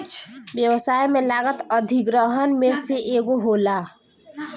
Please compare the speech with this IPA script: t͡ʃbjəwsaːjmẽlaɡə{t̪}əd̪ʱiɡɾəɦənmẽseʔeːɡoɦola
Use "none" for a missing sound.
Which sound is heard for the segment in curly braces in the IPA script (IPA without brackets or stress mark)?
t̪